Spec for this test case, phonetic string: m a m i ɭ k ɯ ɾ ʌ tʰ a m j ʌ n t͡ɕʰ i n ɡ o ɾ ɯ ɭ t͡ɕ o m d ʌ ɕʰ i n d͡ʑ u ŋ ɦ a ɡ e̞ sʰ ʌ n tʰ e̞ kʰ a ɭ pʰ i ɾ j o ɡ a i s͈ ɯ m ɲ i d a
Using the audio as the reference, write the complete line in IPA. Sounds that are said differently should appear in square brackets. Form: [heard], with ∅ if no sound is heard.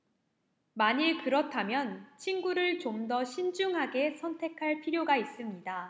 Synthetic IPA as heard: m a [ɲ] i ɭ k ɯ ɾ ʌ tʰ a m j ʌ n t͡ɕʰ i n ɡ [u] ɾ ɯ ɭ t͡ɕ o m d ʌ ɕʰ i n d͡ʑ u ŋ ɦ a ɡ e̞ sʰ ʌ n tʰ e̞ kʰ a ɭ pʰ i ɾ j o ɡ a i s͈ ɯ m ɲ i d a